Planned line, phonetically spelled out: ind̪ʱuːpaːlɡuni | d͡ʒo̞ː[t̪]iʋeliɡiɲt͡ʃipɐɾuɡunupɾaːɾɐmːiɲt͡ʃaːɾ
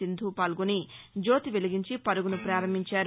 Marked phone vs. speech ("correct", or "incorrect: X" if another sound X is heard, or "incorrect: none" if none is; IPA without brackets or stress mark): correct